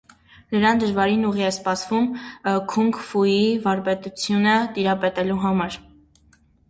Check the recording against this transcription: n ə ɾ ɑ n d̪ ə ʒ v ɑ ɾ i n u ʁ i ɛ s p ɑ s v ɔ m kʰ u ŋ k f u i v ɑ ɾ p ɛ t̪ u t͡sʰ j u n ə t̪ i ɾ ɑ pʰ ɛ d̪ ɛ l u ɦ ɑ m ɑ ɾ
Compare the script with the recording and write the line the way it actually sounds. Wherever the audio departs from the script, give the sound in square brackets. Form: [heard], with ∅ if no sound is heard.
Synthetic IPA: n ə ɾ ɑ n d̪ ə ʒ v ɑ ɾ i n u ʁ i ɛ s p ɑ s v [u] m kʰ u ŋ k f u i v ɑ ɾ p ɛ t̪ u t͡sʰ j u n ə t̪ i ɾ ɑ [p] ɛ [t̪] ɛ l u ɦ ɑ m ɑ ɾ